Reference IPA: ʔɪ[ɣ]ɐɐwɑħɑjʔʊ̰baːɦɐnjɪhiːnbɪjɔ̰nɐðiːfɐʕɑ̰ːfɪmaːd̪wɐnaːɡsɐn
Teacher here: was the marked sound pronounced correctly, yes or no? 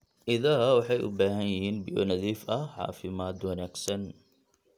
no